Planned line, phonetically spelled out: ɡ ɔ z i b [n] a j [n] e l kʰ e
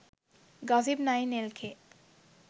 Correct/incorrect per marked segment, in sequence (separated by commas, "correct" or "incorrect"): correct, correct